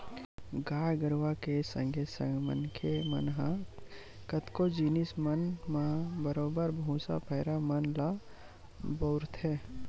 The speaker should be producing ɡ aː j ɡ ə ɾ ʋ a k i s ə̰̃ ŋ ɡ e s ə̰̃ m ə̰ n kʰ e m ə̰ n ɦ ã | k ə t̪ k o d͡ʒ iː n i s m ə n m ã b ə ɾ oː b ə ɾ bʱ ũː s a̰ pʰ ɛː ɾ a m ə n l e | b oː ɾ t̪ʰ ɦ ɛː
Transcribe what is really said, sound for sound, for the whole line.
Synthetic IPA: ɡ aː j ɡ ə ɾ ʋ a k e s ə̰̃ ŋ ɡ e s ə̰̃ m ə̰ n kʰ e m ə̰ n ɦ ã | k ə t̪ k o d͡ʒ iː n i s m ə n m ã b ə ɾ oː b ə ɾ bʱ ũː s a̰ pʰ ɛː ɾ a m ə n l a | b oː ɾ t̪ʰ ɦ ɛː